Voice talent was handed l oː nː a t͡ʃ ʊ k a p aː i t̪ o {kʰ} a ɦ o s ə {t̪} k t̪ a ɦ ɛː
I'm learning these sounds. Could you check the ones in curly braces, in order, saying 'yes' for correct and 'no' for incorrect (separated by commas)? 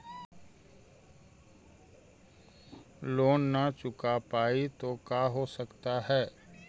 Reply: no, no